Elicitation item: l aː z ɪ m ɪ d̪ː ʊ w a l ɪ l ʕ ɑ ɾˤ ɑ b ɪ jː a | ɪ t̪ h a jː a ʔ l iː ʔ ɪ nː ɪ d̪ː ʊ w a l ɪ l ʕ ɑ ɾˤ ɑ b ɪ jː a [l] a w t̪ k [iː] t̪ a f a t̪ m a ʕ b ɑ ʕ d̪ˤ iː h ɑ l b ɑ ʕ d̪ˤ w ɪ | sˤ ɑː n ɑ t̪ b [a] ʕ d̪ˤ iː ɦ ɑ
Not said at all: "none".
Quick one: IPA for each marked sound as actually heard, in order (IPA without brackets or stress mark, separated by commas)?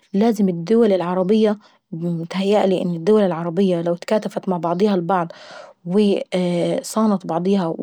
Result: l, aː, ɑ